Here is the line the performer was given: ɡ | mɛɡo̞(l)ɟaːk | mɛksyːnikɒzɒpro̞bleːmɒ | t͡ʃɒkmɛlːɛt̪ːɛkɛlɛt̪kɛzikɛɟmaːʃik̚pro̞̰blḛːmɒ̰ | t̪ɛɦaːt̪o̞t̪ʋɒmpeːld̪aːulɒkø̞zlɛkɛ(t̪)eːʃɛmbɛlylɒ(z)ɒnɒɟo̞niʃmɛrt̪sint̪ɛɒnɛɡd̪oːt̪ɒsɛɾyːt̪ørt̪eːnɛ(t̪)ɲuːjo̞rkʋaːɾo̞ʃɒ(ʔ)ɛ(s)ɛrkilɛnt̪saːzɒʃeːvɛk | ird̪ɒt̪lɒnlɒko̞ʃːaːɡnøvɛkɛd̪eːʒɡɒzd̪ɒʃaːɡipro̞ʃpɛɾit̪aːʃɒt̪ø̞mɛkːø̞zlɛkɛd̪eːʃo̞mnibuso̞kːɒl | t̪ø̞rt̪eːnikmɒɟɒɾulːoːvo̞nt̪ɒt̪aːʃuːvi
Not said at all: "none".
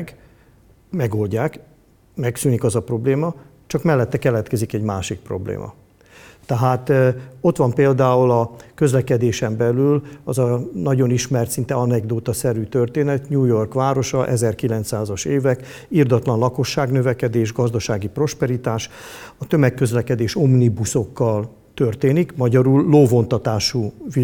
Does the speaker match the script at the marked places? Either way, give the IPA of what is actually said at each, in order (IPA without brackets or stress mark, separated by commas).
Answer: l, d̪, z, t̪, ʔ, z